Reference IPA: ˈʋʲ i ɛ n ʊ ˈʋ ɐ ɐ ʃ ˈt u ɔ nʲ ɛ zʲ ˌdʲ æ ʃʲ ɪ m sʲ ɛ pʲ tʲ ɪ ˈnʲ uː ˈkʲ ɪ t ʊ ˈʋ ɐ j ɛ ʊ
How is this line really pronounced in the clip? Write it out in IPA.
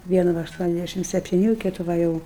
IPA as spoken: ˈʋʲ i ɛ n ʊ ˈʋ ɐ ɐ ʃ ˈt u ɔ nʲ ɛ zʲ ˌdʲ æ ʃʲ ɪ m sʲ ɛ pʲ tʲ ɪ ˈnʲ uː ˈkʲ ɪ t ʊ ˈʋ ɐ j ɛ ʊ

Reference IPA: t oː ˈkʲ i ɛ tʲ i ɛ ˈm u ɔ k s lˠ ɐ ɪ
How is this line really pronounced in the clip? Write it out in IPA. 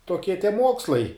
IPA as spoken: t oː ˈkʲ i ɛ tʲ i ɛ ˈm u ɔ k s lˠ ɐ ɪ

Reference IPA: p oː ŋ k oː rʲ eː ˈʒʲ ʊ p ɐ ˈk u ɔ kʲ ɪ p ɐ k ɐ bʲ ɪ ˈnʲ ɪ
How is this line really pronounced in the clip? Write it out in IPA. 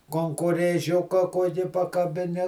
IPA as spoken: k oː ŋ k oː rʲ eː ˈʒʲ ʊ k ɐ ˈk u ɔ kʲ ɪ p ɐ k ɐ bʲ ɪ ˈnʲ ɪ

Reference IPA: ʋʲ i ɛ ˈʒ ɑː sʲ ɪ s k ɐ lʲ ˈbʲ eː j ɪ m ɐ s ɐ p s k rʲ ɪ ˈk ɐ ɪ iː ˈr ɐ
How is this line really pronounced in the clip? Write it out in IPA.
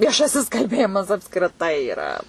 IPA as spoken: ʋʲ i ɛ ˈʃ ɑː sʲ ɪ s k ɐ lʲ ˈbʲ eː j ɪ m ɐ s ɐ p s k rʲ ɪ ˈt ɐ ɪ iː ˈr ɐ

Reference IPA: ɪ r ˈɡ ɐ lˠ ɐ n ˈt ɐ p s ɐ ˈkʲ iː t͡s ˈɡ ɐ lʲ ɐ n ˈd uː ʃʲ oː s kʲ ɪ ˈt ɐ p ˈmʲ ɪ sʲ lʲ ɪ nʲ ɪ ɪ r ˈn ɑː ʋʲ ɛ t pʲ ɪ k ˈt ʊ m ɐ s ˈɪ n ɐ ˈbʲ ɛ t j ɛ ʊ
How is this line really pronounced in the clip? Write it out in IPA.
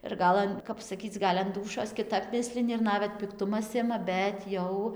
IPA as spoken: ɪ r ˈɡ ɐ lˠ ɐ n ˈk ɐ p s ɐ ˈkʲ iː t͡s ˈɡ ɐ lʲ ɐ n ˈd uː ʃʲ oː s kʲ ɪ ˈt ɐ p ˈmʲ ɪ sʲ lʲ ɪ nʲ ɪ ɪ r ˈn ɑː ʋʲ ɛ t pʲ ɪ k ˈt ʊ m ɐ s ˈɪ m ɐ ˈbʲ ɛ t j ɛ ʊ

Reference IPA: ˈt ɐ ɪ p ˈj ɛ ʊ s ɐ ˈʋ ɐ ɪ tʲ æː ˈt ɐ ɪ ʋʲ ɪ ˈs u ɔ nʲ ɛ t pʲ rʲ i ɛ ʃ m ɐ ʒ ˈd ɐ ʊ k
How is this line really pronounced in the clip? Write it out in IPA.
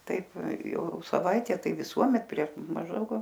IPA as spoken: ˈt ɐ ɪ p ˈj ɛ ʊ s ɐ ˈʋ ɐ ɪ tʲ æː ˈt ɐ ɪ ʋʲ ɪ ˈs u ɔ mʲ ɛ t pʲ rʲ i ɛ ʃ m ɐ ʒ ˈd ɐ ʊ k

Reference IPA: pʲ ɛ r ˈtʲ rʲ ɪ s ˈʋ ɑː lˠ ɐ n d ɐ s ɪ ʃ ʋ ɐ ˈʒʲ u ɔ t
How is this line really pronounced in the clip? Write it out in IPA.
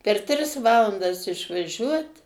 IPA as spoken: pʲ ɛ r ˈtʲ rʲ ɪ s ˈʋ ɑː lˠ ɐ n d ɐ s ɪ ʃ ʋ ɐ ˈʒʲ u ɔ t

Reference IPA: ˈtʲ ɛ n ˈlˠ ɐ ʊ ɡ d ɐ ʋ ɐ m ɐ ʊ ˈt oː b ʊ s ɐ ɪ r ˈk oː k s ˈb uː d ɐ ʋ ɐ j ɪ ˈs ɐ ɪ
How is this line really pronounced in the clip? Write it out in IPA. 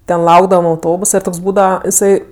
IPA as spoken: ˈtʲ ɛ n ˈlˠ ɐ ʊ ɡ d ɐ ʋ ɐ m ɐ ʊ ˈt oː b ʊ s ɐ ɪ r ˈt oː k s ˈb uː d ɐ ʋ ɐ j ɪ ˈs ɐ ɪ

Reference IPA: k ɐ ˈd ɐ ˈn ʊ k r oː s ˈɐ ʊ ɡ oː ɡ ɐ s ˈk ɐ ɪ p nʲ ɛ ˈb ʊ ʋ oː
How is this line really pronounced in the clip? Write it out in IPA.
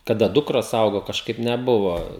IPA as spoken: k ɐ ˈd ɐ ˈd ʊ k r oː s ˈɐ ʊ ɡ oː k ɐ ʃ ˈk ɐ ɪ p nʲ ɛ ˈb ʊ ʋ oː

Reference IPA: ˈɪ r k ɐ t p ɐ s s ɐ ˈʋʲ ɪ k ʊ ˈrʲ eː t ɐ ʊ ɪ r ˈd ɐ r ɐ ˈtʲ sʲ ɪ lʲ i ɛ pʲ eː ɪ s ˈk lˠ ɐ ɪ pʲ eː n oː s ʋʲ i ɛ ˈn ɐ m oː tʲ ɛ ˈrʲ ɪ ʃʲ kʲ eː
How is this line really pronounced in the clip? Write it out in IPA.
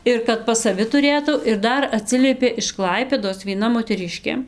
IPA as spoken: ˈɪ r k ɐ t p ɐ s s ɐ ˈʋʲ ɪ t ʊ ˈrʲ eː t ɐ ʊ ɪ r ˈd ɐ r ɐ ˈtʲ sʲ ɪ lʲ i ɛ pʲ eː ɪ ʃ ˈk lˠ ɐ ɪ pʲ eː d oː s ʋʲ i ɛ ˈn ɐ m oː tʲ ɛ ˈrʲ ɪ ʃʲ kʲ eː

